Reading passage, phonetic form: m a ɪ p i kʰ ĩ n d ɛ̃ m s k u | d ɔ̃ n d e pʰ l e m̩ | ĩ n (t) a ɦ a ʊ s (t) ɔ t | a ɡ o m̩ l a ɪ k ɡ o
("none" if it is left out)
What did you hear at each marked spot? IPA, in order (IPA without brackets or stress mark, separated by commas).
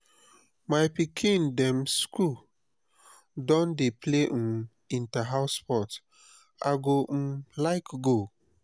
t, p